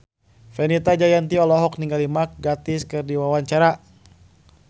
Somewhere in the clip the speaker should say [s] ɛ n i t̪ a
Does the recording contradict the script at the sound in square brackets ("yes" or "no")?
yes